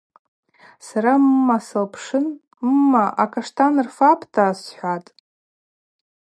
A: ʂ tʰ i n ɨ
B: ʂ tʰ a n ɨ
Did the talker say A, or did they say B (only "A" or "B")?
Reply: B